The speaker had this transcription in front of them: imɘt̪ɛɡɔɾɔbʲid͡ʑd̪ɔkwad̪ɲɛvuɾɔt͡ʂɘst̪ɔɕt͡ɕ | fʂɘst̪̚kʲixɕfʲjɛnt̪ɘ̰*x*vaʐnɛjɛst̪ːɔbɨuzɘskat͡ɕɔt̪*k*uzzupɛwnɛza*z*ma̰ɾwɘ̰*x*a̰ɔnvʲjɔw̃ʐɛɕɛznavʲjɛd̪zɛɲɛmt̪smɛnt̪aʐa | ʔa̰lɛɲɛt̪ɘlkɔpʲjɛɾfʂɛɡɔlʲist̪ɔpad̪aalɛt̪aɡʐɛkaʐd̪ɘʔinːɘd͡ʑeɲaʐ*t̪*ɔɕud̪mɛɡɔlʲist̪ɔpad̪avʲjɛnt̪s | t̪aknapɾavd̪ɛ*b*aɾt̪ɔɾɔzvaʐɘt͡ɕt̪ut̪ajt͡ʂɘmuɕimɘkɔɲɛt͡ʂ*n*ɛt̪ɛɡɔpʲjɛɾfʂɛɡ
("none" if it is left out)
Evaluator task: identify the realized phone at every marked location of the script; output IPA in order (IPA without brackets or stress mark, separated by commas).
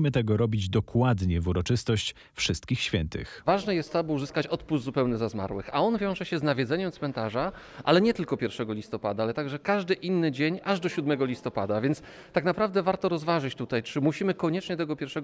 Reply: x, p, z, x, d̪, v, ɲ